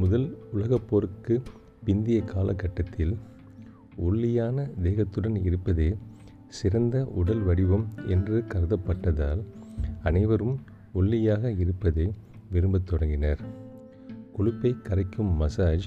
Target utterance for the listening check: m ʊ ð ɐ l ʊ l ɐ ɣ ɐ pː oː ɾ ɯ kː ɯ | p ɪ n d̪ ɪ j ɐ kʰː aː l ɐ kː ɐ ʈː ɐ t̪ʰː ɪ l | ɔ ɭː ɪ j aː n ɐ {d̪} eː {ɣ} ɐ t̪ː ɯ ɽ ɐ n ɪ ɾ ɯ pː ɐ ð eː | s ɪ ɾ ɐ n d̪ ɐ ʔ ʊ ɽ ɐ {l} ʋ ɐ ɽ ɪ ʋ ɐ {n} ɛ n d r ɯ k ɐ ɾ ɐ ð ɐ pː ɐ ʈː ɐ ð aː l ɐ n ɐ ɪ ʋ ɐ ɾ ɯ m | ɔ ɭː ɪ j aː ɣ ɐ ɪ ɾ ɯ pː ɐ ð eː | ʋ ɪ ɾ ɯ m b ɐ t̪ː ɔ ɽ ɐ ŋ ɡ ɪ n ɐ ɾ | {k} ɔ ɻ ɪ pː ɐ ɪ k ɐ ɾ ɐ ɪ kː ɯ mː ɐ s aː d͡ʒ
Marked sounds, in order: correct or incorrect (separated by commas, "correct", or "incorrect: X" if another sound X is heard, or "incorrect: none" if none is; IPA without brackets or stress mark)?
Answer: correct, correct, correct, incorrect: m, correct